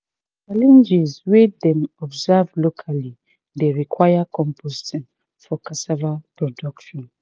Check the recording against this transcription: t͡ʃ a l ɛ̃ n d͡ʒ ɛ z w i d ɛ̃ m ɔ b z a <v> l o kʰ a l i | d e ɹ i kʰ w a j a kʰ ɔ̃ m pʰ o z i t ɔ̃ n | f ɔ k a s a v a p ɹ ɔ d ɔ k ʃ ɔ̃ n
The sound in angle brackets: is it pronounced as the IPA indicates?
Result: yes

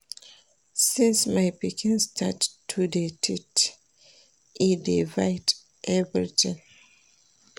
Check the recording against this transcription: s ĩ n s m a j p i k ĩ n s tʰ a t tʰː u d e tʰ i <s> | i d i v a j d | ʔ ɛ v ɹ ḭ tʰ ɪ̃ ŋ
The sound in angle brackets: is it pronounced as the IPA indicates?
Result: no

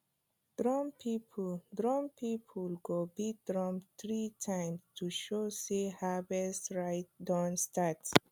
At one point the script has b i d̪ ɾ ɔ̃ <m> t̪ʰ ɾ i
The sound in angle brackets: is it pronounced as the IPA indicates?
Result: yes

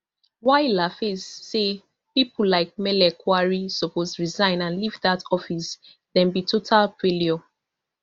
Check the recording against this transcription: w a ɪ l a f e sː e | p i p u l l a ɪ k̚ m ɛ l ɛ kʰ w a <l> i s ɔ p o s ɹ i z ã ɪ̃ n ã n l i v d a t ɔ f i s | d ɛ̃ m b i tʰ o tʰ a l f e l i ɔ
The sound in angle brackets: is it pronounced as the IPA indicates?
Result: no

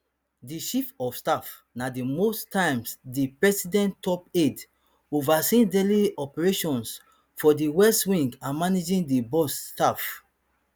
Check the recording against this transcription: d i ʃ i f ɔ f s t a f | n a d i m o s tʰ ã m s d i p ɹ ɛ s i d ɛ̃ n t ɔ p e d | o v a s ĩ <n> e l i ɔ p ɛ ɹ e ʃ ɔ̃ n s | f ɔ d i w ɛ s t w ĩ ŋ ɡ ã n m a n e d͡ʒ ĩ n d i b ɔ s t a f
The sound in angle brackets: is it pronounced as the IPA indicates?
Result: no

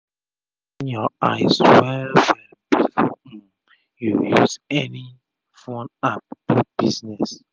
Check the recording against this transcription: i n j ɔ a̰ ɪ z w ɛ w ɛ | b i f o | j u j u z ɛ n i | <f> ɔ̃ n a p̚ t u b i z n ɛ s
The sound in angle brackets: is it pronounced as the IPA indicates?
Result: yes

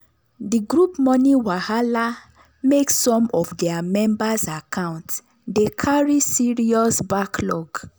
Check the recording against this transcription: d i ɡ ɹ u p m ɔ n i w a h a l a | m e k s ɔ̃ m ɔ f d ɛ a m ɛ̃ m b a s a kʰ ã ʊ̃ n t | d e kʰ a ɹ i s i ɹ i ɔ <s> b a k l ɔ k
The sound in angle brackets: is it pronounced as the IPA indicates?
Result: yes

